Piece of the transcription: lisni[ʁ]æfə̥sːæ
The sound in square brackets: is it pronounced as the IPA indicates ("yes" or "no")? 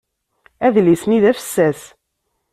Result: no